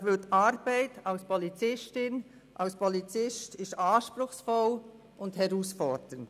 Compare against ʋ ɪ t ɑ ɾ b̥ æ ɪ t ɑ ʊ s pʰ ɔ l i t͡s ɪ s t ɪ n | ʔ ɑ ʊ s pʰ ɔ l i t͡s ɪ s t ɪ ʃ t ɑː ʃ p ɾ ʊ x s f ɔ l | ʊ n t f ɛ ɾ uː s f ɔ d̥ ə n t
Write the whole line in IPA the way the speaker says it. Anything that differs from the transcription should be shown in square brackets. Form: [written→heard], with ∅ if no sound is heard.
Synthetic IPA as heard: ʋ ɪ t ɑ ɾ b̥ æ ɪ t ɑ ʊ s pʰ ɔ l i t͡s ɪ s t ɪ n | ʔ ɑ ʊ s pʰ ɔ l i t͡s ɪ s t ɪ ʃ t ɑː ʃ p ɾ ʊ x s f ɔ l | ʊ n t [f→h] ɛ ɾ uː s f ɔ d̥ ə n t